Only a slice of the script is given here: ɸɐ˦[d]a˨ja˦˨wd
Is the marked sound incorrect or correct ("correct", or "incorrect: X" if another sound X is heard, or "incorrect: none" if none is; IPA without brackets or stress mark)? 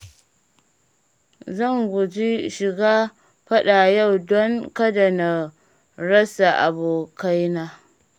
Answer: incorrect: ɗ